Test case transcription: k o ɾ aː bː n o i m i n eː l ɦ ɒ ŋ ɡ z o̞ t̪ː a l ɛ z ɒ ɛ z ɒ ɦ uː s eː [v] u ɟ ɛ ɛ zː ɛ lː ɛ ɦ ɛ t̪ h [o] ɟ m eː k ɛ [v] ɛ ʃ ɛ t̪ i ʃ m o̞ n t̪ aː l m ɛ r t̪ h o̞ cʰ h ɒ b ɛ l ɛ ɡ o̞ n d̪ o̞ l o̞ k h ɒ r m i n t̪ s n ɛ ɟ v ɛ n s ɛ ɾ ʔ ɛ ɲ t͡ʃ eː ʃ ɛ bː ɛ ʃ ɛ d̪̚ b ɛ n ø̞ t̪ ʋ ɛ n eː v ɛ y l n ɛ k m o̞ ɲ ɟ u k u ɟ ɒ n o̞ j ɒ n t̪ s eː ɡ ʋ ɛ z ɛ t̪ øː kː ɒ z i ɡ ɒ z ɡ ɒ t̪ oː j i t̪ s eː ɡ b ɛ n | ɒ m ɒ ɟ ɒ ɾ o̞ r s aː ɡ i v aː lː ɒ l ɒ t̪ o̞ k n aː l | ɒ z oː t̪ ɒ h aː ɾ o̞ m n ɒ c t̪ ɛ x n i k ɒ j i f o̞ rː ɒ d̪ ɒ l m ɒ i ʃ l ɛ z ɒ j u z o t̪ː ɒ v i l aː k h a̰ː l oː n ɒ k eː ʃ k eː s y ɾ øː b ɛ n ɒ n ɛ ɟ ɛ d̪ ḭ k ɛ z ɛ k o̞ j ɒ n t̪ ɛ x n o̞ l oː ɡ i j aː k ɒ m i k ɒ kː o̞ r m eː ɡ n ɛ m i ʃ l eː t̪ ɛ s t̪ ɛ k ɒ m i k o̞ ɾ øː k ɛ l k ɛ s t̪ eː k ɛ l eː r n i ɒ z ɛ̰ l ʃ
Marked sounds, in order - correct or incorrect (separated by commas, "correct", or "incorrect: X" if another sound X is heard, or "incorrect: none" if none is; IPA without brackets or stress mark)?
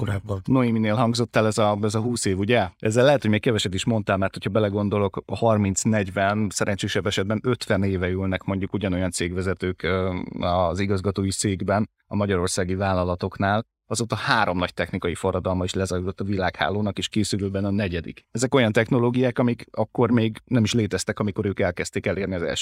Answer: correct, correct, correct